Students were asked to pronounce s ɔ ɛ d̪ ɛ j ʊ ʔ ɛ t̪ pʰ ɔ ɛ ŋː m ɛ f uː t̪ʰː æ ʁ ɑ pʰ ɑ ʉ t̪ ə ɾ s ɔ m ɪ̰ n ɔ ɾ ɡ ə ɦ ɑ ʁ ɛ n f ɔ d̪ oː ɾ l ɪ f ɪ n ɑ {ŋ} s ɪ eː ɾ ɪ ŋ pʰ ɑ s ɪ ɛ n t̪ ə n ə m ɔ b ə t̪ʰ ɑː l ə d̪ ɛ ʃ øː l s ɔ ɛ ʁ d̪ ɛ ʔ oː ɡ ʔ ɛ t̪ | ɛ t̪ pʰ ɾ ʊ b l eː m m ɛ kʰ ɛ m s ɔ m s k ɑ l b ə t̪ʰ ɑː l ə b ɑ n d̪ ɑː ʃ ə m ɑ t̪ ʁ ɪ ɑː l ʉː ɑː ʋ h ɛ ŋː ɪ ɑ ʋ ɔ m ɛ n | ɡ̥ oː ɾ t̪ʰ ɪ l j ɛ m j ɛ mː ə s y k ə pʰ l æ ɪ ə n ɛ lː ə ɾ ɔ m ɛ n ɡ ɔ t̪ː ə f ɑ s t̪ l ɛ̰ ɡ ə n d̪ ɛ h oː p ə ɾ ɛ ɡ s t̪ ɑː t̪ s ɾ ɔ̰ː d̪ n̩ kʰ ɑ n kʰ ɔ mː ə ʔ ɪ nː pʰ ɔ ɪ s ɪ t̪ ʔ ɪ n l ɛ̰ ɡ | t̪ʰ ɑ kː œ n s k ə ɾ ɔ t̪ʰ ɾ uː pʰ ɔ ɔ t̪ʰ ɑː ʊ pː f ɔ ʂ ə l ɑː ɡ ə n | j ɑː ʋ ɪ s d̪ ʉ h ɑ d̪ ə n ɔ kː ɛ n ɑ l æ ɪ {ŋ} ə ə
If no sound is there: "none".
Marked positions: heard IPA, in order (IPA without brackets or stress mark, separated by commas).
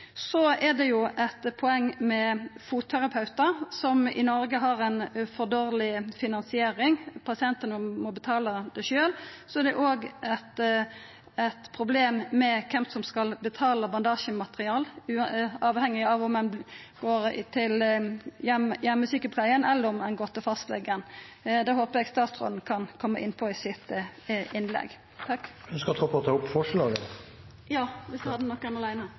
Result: n, n